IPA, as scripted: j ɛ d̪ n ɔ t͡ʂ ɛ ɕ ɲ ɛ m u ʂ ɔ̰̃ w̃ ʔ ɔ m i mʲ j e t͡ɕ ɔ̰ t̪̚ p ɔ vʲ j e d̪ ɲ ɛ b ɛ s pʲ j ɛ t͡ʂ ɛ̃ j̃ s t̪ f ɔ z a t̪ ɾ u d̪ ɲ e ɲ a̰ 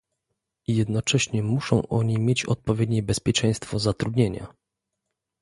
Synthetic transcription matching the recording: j ɛ d̪ n ɔ t͡ʂ ɛ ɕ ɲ ɛ m u ʂ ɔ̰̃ w̃ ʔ ɔ ɲ i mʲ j e t͡ɕ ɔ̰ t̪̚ p ɔ vʲ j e d̪ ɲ ɛ b ɛ s pʲ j ɛ t͡ʂ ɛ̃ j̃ s t̪ f ɔ z a t̪ ɾ u d̪ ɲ e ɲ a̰

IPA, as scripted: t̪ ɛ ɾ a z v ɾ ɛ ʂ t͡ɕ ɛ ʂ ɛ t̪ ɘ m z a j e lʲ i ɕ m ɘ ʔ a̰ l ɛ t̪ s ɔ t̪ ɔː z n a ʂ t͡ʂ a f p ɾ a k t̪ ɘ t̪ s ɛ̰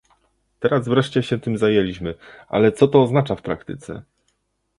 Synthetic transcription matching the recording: t̪ ɛ ɾ a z v ɾ ɛ ʂ t͡ɕ ɛ ɕ ɛ t̪ ɘ m z a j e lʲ i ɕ m ɘ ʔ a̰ l ɛ t̪ s ɔ t̪ ɔː z n a t͡ʂ a f p ɾ a k t̪ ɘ t̪ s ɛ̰

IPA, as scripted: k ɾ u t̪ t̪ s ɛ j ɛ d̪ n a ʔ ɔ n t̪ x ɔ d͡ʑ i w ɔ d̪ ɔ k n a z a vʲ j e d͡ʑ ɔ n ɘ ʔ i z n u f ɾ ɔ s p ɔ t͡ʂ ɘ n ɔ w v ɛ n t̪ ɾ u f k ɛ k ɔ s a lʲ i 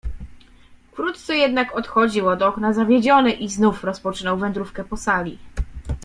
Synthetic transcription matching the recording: k ɾ u t̪ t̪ s ɛ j ɛ d̪ n a k ɔ t̪ x ɔ d͡ʑ i w ɔ d̪ ɔ k n a z a vʲ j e d͡ʑ ɔ n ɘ ʔ i z n u f ɾ ɔ s p ɔ t͡ʂ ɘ n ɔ w v ɛ n d̪ ɾ u f k ɛ p ɔ s a lʲ i

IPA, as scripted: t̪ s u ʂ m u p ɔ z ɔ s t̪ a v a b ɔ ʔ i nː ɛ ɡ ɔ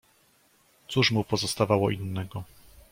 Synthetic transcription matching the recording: t̪ s u ʂ m u p ɔ z ɔ s t̪ a v a w ɔ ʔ i nː ɛ ɡ ɔ

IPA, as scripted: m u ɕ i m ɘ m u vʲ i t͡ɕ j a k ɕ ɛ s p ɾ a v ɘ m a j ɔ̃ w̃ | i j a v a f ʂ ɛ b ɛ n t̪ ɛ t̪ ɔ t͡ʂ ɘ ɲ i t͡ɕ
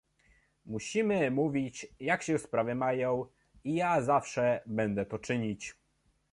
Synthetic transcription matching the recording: m u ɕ i m ɘ m u vʲ i t͡ɕ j a k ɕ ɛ s p ɾ a v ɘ m a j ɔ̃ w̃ | i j a z a f ʂ ɛ b ɛ n d̪ ɛ t̪ ɔ t͡ʂ ɘ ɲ i t͡ɕ

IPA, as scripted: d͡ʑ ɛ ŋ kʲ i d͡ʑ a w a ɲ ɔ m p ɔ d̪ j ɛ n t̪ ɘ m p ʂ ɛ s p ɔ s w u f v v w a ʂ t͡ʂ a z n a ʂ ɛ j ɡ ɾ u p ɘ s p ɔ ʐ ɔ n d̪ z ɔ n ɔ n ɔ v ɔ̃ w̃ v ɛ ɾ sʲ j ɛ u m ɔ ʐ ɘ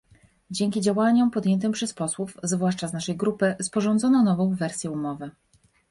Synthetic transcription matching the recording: d͡ʑ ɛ ŋ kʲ i d͡ʑ a w a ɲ ɔ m p ɔ d̪ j ɛ n t̪ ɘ m p ʂ ɛ s p ɔ s w u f z v w a ʂ t͡ʂ a z n a ʂ ɛ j ɡ ɾ u p ɘ s p ɔ ʐ ɔ n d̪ z ɔ n ɔ n ɔ v ɔ̃ w̃ v ɛ ɾ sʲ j ɛ u m ɔ v ɘ

